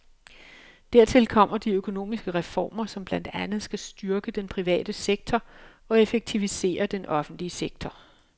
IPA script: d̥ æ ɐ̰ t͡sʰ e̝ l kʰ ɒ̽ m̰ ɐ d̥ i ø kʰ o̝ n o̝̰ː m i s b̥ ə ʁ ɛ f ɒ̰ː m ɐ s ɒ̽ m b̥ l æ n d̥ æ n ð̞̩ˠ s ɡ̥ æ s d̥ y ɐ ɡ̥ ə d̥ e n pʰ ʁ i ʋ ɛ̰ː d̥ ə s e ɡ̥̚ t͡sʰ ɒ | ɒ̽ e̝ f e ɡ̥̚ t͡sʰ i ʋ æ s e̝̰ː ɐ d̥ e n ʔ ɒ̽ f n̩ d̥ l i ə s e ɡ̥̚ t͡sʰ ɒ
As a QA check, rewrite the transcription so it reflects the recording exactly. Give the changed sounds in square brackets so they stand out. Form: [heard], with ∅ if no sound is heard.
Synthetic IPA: d̥ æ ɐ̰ t͡sʰ e̝ l kʰ ɒ̽ m̰ ɐ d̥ i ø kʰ o̝ n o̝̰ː m i s [ɡ̥] ə ʁ ɛ f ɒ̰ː m ɐ s ɒ̽ m b̥ l æ n d̥ æ n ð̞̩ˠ s ɡ̥ æ s d̥ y ɐ ɡ̥ ə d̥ e n pʰ ʁ i ʋ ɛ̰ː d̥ ə s e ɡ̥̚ t͡sʰ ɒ | ɒ̽ e̝ f e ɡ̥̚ t͡sʰ i ʋ [i] s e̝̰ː ɐ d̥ e n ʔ ɒ̽ f n̩ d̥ l i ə s e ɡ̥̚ t͡sʰ ɒ

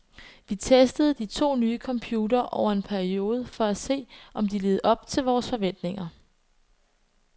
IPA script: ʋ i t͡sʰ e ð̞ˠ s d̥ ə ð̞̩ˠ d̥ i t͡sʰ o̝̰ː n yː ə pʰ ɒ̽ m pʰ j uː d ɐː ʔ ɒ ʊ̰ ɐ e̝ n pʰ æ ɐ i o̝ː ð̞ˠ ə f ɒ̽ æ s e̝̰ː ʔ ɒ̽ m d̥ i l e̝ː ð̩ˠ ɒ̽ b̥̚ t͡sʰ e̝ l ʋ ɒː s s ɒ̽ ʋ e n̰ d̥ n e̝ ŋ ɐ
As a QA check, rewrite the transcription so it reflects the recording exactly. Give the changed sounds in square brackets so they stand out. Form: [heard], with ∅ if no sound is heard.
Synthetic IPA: ʋ i t͡sʰ e [∅] s d̥ ə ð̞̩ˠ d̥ i t͡sʰ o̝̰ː n yː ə [kʰ] ɒ̽ m pʰ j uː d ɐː ʔ ɒ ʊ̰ ɐ e̝ n pʰ æ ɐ i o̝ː ð̞ˠ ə f ɒ̽ æ s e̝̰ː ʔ ɒ̽ m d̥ i l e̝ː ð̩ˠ ɒ̽ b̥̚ t͡sʰ e̝ l ʋ ɒː s [f] ɒ̽ ʋ e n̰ d̥ n e̝ ŋ ɐ

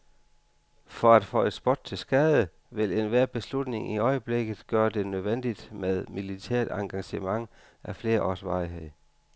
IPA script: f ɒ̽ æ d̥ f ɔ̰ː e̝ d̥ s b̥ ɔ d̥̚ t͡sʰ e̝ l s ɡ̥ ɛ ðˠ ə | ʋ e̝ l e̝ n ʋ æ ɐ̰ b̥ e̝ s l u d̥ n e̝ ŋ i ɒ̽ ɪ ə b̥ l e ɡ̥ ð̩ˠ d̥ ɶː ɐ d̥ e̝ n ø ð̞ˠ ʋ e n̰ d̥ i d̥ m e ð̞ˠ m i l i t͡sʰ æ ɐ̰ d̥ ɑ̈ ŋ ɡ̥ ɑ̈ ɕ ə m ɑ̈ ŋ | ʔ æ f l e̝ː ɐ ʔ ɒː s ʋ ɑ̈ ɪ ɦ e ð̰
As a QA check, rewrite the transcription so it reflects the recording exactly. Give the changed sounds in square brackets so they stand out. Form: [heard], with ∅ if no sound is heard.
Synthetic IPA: f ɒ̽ æ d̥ f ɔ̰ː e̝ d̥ s b̥ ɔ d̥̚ t͡sʰ e̝ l s ɡ̥ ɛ ðˠ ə | ʋ e̝ l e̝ n ʋ æ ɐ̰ b̥ e̝ s l u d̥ n e̝ ŋ i ɒ̽ ɪ ə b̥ l e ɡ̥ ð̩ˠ [ɡ̥] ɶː ɐ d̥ e̝ n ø ð̞ˠ ʋ e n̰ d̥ i d̥ m e ð̞ˠ m i l i t͡sʰ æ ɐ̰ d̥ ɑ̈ ŋ ɡ̥ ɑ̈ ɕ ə m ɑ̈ ŋ | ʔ æ f l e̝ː ɐ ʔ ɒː s ʋ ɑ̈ ɪ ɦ e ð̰

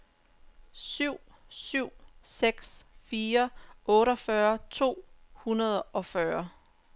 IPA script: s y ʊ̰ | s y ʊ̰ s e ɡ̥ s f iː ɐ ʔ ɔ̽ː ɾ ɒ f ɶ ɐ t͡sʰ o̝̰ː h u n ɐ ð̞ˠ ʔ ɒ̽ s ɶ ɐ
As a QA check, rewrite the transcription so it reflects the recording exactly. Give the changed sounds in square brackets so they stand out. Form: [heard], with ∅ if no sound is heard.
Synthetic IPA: s y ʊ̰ | s y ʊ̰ s e ɡ̥ s f iː ɐ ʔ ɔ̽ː ɾ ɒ f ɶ ɐ t͡sʰ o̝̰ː h u n ɐ ð̞ˠ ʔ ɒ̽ [f] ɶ ɐ

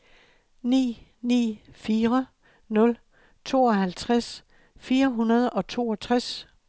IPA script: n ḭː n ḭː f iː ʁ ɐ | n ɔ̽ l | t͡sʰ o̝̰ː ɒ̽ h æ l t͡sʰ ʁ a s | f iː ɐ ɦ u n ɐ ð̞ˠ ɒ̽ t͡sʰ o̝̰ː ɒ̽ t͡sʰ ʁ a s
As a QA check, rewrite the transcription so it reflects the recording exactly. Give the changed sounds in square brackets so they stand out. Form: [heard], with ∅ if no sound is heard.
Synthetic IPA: n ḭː n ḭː f iː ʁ ɐ | n ɔ̽ l | t͡sʰ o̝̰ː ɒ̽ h æ l t͡sʰ ʁ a s | f iː ɐ ɦ u n ɐ ð̞ˠ ɒ̽ t͡sʰ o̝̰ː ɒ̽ t͡sʰ ʁ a s

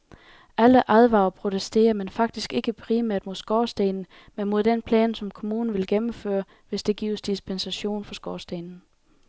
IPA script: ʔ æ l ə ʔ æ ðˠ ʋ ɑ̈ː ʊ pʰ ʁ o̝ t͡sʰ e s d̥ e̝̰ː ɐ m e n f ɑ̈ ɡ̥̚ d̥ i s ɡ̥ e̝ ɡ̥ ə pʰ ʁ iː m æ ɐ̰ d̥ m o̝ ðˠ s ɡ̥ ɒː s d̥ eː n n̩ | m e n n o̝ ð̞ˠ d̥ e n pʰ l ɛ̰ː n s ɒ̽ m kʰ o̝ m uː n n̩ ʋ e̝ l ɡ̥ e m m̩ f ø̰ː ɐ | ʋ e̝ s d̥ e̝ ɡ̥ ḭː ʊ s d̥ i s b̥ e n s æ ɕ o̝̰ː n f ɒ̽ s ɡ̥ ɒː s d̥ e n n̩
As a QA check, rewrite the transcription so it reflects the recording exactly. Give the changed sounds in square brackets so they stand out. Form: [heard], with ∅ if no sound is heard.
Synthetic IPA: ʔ æ l ə ʔ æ ðˠ ʋ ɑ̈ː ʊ pʰ ʁ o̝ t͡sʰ e s d̥ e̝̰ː ɐ m e n f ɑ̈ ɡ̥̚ d̥ i s ɡ̥ e̝ ɡ̥ ə pʰ ʁ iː m æ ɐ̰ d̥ m o̝ ðˠ s ɡ̥ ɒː s d̥ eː n n̩ | m e n [m] o̝ ð̞ˠ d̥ e n pʰ l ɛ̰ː n s ɒ̽ m kʰ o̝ m uː n n̩ ʋ e̝ l ɡ̥ e m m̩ f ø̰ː ɐ | ʋ e̝ s d̥ e̝ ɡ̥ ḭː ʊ s d̥ i s b̥ e n s æ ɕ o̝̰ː n f ɒ̽ s ɡ̥ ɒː s d̥ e n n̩

